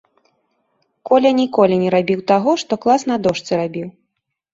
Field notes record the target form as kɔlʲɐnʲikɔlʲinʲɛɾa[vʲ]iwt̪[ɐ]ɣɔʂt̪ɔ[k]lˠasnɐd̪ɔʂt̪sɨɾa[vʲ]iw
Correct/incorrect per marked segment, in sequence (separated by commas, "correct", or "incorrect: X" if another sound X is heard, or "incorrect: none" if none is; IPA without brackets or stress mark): incorrect: bʲ, incorrect: a, correct, incorrect: bʲ